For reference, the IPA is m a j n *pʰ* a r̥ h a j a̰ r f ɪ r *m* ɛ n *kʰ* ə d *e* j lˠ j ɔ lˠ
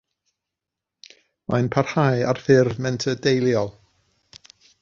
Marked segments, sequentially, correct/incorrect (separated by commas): correct, correct, incorrect, correct